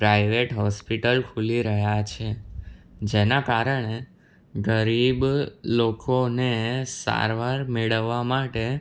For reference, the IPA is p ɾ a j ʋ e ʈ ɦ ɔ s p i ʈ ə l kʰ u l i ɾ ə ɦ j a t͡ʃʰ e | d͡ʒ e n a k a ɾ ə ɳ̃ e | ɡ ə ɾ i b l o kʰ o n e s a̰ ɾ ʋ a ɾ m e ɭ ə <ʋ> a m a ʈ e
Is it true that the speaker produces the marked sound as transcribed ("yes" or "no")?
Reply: no